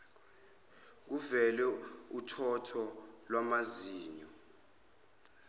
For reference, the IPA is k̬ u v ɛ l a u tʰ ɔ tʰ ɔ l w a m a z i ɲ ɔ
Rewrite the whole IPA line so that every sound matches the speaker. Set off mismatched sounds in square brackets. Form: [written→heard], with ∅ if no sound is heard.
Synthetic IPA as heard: k̬ u v ɛ l [a→ɛ] u tʰ ɔ tʰ ɔ l w a m a z [i→iː] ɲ ɔ